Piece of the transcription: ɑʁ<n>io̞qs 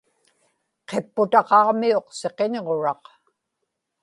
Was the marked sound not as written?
yes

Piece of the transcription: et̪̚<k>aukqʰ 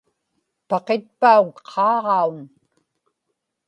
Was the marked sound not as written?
yes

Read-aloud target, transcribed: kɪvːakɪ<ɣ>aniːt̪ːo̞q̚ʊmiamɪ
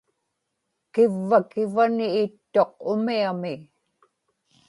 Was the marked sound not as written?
yes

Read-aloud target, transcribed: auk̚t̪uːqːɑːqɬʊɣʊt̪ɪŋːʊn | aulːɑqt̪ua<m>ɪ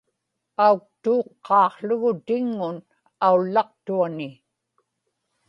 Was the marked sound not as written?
yes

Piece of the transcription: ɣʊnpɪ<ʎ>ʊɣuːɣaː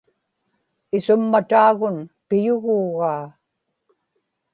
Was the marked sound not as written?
yes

